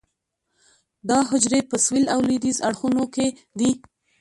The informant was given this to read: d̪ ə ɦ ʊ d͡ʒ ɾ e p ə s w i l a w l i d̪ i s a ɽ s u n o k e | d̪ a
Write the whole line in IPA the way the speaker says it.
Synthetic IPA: d̪ ɑ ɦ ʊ d͡ʒ ɾ e p ə s w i l a w l i d̪ i z a ɽ x u n o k e | d̪ i